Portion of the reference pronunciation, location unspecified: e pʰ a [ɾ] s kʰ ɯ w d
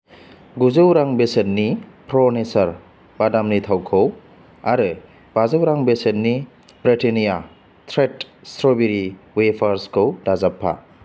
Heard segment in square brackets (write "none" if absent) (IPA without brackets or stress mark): ɾ